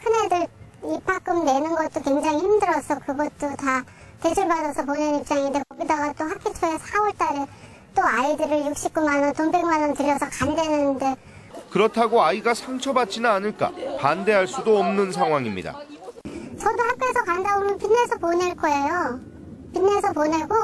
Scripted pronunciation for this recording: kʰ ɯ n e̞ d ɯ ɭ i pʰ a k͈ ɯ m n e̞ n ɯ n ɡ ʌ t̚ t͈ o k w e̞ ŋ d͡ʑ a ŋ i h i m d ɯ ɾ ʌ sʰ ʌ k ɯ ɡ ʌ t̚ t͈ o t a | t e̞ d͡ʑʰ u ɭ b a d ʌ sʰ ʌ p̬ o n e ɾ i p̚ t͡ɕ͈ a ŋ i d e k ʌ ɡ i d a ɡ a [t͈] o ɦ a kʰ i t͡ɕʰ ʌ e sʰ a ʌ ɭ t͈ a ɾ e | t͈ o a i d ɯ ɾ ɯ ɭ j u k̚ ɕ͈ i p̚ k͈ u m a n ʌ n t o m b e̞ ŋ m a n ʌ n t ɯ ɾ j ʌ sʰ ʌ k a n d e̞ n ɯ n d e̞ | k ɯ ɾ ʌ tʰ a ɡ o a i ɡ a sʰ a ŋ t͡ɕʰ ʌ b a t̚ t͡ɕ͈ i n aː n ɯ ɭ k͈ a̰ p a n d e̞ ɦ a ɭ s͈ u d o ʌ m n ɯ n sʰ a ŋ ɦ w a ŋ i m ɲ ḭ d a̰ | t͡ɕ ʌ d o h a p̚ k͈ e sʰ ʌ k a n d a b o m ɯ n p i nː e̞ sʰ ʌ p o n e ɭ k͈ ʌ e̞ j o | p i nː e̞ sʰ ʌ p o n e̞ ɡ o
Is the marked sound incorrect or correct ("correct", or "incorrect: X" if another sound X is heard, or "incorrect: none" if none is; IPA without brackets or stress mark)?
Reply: correct